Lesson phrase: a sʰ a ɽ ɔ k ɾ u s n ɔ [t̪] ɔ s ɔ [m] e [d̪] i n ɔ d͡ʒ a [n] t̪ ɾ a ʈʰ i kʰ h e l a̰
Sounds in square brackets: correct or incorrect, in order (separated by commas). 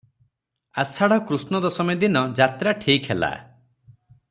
incorrect, correct, correct, incorrect